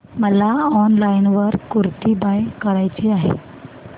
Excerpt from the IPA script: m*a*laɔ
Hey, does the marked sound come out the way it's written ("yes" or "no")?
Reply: no